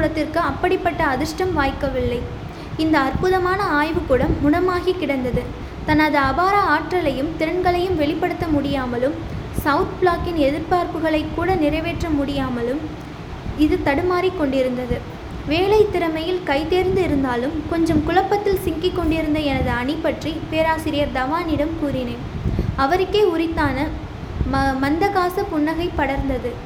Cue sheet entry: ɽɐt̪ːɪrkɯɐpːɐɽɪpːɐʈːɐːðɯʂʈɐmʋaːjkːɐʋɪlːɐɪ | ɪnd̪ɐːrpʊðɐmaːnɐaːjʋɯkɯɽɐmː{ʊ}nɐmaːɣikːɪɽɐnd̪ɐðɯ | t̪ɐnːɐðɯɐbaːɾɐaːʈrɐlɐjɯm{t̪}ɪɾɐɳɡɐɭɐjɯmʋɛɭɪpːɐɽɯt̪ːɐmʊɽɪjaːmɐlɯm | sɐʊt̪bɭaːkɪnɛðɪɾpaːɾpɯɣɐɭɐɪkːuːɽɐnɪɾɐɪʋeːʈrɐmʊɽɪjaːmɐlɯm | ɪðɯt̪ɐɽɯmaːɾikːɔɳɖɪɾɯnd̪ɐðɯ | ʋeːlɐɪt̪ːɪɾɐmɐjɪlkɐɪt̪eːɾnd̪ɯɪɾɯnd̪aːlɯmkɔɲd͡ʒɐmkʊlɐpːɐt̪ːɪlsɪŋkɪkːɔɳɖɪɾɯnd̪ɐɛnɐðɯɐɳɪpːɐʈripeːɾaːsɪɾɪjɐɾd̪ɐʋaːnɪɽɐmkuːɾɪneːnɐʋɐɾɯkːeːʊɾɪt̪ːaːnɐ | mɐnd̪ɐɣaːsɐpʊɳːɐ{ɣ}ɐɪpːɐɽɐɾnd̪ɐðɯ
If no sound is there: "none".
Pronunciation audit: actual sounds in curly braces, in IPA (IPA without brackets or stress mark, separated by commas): ʊ, t̪, ɣ